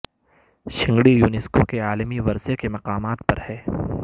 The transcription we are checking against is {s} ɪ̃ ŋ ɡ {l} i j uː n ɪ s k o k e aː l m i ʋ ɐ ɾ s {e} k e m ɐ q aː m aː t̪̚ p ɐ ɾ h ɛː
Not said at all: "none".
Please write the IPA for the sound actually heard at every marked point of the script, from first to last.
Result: ʃ, ɽ, e

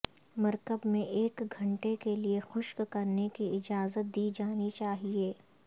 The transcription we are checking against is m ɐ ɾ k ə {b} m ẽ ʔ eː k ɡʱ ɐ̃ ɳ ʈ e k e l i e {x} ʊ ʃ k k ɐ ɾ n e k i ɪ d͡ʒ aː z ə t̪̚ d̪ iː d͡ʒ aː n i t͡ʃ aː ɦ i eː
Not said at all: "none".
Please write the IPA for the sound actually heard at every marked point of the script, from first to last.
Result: b, x

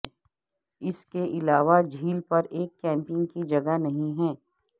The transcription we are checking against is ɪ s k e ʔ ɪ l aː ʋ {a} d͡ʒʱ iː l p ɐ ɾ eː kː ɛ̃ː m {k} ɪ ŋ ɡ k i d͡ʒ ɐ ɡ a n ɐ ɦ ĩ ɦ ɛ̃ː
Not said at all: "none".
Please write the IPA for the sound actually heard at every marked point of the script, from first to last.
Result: a, p

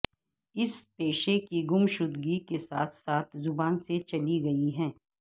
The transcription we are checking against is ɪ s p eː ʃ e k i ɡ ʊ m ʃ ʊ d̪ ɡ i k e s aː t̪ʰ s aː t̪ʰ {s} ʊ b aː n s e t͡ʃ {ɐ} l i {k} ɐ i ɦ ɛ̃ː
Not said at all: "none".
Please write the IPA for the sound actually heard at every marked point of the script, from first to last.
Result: z, ɐ, ɡ

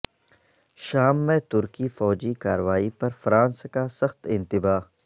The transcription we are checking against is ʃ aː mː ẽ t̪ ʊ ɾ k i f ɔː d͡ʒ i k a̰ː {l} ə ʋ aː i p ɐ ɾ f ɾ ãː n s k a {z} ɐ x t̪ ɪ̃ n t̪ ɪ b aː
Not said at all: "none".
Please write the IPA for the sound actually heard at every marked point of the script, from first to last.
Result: ɾ, s

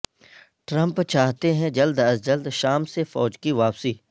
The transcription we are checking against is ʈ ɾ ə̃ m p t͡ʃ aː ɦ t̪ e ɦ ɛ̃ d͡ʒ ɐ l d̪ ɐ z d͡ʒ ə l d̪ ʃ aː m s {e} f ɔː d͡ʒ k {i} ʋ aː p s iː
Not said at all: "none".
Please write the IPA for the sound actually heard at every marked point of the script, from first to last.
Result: e, i

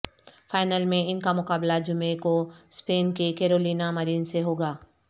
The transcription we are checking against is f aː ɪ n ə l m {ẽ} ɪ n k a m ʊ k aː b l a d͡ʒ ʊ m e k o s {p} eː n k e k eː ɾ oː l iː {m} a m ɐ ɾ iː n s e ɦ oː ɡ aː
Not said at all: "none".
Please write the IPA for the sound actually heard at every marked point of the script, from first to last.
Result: ẽ, p, n

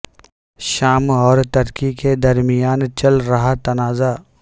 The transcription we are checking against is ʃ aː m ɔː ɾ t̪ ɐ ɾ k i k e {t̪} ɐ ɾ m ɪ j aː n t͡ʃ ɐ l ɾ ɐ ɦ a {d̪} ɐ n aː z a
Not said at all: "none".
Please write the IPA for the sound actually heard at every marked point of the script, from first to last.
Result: d̪, t̪

